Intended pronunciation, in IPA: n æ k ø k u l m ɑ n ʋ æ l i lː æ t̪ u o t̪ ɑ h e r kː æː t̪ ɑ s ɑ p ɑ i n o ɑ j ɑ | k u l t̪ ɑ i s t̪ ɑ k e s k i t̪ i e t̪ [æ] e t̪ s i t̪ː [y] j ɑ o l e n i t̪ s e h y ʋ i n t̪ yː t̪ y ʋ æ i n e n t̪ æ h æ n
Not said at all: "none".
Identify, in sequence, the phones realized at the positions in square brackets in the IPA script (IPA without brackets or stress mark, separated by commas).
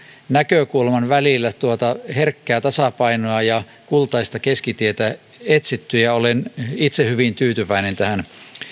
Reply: æ, y